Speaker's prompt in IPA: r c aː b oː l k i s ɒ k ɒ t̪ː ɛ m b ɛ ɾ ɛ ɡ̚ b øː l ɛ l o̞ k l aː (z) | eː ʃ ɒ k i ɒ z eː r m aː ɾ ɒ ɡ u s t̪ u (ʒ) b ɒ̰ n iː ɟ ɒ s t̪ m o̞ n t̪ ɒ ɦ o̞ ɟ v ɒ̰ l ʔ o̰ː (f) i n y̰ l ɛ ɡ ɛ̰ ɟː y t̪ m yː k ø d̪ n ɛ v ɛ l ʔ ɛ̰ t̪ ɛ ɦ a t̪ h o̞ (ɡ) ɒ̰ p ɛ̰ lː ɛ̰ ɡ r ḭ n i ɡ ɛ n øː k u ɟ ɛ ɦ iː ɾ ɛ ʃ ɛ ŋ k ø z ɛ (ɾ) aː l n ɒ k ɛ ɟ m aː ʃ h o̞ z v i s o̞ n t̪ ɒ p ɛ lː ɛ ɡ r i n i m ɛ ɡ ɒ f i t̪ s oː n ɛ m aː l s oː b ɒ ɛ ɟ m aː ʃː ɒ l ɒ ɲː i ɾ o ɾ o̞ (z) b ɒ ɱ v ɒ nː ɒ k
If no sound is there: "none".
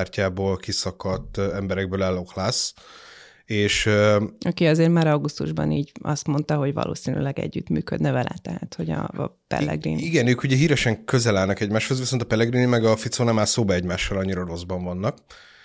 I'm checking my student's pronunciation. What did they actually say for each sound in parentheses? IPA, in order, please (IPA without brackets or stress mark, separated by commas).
s, ʒ, s, ɟ, l, z